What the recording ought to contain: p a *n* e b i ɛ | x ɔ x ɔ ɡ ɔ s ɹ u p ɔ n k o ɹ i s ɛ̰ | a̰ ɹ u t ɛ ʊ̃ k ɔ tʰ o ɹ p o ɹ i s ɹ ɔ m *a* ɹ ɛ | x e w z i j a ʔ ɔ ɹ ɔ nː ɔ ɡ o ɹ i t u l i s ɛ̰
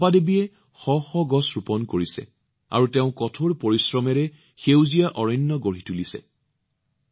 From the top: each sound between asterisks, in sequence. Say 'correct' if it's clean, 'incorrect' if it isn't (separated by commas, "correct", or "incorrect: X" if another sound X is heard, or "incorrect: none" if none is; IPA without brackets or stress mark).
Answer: incorrect: d, incorrect: ɛ